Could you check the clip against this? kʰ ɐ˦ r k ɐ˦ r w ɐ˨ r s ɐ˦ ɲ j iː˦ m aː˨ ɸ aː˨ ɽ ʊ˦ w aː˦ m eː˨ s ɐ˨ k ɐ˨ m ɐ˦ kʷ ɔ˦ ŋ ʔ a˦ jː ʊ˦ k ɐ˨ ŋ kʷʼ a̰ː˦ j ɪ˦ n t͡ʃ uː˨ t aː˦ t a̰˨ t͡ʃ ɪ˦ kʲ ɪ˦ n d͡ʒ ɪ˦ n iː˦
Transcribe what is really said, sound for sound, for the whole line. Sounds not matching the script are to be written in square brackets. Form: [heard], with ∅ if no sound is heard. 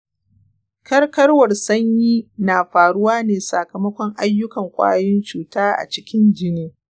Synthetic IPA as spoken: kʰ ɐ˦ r k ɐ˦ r w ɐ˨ r s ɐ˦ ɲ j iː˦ [n] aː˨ ɸ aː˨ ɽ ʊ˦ w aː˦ [n] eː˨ s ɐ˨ k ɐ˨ m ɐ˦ kʷ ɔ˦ ŋ ʔ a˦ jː ʊ˦ k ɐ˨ ŋ kʷʼ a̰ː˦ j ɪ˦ n t͡ʃ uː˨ t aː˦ [ʔ] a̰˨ t͡ʃ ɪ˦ kʲ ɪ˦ n d͡ʒ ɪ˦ n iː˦